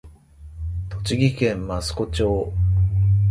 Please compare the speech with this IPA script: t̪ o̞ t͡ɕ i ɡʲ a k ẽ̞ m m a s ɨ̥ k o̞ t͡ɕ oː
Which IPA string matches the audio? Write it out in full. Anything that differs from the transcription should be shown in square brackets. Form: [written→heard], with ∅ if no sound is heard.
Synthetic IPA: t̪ o̞ t͡ɕ i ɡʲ [a→i] k ẽ̞ m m a s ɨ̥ k o̞ t͡ɕ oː